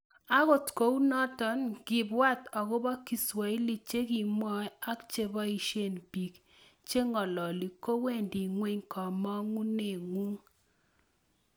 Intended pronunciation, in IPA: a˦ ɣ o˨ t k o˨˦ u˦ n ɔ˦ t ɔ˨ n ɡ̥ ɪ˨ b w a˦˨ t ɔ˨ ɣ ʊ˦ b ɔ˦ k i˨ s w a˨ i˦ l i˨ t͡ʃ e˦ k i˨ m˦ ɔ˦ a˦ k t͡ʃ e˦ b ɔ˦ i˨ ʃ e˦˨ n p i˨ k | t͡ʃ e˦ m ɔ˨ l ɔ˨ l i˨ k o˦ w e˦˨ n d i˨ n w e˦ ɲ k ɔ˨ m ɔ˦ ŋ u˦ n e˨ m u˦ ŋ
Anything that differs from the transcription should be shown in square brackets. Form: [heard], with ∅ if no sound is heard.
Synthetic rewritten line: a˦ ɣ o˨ t k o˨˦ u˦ n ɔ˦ t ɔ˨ n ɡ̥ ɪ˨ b w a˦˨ t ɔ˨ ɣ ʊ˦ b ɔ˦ k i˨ s w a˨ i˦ l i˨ t͡ʃ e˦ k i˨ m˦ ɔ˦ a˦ k t͡ʃ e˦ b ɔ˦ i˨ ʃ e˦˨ n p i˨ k | t͡ʃ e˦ [ŋ] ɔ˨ l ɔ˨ l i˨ k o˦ w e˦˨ n d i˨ [ŋ] w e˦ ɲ k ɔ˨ m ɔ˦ ŋ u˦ n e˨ [ŋ] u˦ ŋ